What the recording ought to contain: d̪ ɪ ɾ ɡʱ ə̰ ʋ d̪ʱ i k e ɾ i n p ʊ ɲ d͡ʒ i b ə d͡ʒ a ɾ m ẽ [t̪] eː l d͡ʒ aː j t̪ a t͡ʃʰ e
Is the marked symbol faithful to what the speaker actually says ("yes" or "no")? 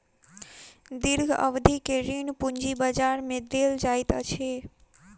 no